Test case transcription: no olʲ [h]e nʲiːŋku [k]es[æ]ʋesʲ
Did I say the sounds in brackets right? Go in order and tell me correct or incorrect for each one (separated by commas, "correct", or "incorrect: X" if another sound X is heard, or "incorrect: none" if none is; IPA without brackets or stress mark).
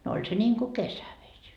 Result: incorrect: s, correct, correct